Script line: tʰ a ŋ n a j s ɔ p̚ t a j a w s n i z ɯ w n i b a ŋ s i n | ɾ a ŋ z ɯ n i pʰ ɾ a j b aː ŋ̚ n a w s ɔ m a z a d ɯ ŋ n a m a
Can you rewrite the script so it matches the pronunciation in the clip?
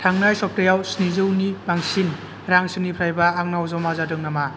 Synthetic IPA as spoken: tʰ a ŋ n a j s ɔ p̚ t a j a w s n i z ɯ w n i b a ŋ s i n | ɾ a ŋ s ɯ n i pʰ ɾ a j b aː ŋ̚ n a w z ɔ m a z a d ɯ ŋ n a m a